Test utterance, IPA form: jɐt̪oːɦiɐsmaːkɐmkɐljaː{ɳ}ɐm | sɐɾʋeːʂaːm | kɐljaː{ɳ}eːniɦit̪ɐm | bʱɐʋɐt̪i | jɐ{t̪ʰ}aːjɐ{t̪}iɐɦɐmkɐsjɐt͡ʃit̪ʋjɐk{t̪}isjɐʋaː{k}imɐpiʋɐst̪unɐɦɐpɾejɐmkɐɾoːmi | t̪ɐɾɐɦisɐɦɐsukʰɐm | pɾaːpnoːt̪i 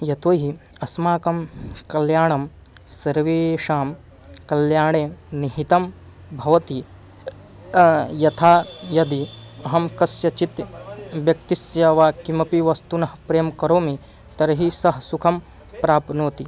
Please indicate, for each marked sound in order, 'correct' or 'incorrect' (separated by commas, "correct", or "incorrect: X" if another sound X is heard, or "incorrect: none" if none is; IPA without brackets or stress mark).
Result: correct, correct, correct, incorrect: d̪, correct, correct